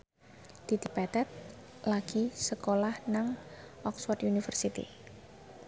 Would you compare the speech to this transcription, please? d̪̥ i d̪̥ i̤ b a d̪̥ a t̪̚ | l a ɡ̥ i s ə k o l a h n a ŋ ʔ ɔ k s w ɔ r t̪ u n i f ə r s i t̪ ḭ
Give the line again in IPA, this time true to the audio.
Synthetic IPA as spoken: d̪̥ i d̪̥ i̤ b a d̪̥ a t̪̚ | l a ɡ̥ i s ə k o l a h n a ŋ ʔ ɔ k s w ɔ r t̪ u n i f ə r s i t̪ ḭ